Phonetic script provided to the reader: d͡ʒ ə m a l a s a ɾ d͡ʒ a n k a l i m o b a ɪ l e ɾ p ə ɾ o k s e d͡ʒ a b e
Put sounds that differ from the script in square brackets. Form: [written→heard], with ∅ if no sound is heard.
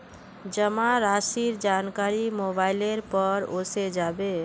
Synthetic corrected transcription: d͡ʒ ə m a [l→ɾ] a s [a→i] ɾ d͡ʒ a n k a [l→ɾ] i m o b a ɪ l e ɾ p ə ɾ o [k→∅] s e d͡ʒ a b e